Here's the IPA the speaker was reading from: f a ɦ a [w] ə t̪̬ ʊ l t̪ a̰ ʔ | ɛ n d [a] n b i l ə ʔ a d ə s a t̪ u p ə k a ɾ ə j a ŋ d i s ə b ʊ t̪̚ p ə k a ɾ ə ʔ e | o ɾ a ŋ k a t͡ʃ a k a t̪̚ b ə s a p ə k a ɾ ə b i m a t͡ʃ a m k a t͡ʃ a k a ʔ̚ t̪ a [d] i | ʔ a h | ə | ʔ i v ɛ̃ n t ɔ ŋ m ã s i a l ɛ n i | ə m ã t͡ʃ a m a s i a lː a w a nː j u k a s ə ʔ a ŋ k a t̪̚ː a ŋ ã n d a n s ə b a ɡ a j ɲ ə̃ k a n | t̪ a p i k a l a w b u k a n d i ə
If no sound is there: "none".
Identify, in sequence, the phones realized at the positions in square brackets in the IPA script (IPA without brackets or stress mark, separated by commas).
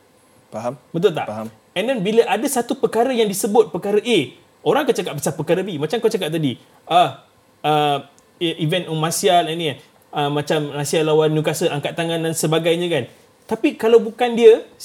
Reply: b, ɛ, d